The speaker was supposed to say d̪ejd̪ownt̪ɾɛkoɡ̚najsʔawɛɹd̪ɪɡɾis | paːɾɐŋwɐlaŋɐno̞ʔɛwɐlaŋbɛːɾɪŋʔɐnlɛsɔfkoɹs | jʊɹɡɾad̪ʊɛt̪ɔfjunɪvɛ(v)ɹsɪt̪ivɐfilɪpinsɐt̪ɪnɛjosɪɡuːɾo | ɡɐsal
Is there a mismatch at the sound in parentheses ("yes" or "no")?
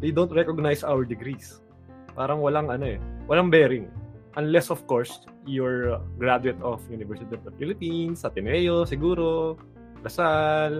yes